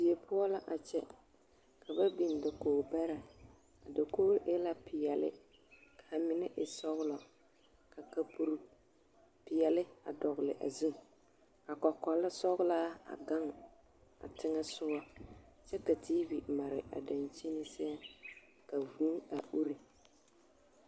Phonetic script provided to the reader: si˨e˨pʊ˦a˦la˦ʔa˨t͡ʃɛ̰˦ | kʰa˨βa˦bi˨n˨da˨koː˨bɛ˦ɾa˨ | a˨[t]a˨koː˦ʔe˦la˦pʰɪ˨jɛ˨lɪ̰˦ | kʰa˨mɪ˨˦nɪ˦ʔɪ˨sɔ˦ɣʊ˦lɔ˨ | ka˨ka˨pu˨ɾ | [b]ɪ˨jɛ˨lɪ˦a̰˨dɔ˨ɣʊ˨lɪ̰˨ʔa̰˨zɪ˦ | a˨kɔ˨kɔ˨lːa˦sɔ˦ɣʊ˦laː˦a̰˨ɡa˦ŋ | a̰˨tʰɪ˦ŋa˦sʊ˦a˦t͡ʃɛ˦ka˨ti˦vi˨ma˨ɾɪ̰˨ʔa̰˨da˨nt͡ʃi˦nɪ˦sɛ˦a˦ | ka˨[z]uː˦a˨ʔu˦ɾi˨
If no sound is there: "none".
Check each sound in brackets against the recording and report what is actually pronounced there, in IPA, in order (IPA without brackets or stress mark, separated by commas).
d, p, v